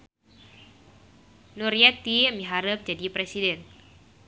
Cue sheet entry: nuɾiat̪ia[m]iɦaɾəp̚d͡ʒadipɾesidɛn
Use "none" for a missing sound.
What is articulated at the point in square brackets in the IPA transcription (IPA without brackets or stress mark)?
m